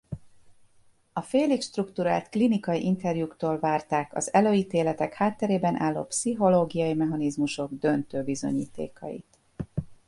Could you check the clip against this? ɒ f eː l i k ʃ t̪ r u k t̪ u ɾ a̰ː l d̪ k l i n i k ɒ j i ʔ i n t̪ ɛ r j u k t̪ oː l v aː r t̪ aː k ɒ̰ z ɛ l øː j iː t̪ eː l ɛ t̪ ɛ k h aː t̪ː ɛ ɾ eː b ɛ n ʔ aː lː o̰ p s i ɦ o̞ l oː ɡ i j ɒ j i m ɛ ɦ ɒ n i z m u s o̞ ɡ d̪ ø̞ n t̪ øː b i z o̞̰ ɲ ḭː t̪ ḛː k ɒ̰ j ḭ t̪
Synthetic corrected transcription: ɒ f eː l i k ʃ t̪ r u k t̪ u ɾ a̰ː l t̪ k l i n i k ɒ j i ʔ i n t̪ ɛ r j u k t̪ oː l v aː r t̪ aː k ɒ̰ z ɛ l øː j iː t̪ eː l ɛ t̪ ɛ k h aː t̪ː ɛ ɾ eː b ɛ n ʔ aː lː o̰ p s i ɦ o̞ l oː ɡ i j ɒ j i m ɛ ɦ ɒ n i z m u ʃ o̞ ɡ d̪ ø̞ n t̪ øː b i z o̞̰ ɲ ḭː t̪ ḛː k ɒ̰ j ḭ t̪